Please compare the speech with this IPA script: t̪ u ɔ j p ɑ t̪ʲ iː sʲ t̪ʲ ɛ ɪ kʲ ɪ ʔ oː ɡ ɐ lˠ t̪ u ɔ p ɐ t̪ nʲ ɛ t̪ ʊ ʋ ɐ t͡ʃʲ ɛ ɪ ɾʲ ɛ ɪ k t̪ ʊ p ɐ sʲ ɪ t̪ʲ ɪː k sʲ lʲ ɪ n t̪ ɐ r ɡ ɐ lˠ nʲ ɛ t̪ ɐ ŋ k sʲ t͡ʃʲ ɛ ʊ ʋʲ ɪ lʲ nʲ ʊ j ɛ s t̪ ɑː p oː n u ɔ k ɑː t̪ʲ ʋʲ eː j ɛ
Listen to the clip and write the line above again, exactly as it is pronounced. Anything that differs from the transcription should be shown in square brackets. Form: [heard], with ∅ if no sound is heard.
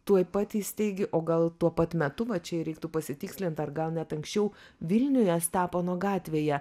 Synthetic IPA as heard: t̪ u ɔ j p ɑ t̪ʲ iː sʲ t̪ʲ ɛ ɪ [ɡʲ] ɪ ʔ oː ɡ ɐ lˠ t̪ u ɔ p ɐ t̪ [mʲ] ɛ t̪ ʊ ʋ ɐ t͡ʃʲ ɛ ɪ ɾʲ ɛ ɪ k t̪ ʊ p ɐ sʲ ɪ t̪ʲ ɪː k sʲ lʲ ɪ n t̪ ɐ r ɡ ɐ lˠ nʲ ɛ t̪ ɐ ŋ k sʲ t͡ʃʲ ɛ ʊ ʋʲ ɪ lʲ nʲ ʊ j ɛ s t̪ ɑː p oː n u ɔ [ɡ] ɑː t̪ʲ ʋʲ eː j ɛ